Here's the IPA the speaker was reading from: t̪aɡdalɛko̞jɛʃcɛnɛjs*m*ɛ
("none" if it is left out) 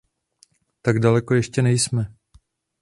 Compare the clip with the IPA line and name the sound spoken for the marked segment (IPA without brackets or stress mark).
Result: m